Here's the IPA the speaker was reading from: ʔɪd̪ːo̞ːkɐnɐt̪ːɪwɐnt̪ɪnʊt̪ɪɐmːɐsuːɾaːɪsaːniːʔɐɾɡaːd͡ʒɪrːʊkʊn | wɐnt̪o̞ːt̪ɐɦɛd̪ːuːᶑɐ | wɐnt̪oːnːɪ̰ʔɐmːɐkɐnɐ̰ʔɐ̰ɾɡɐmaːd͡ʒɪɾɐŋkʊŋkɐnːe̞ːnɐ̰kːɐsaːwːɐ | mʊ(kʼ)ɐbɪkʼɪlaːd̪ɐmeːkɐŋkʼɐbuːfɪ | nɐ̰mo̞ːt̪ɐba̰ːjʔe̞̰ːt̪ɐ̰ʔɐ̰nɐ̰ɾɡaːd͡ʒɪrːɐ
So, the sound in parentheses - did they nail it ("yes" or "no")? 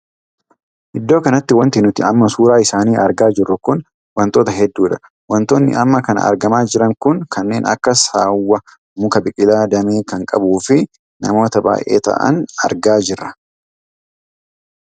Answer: no